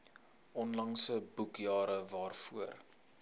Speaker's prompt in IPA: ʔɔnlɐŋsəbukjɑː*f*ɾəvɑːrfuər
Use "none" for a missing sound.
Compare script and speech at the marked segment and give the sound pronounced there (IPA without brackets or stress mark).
none